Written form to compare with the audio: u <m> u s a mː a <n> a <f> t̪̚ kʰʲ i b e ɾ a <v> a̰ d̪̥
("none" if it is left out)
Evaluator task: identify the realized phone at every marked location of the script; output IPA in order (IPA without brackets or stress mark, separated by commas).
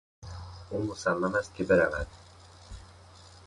m, m, s, v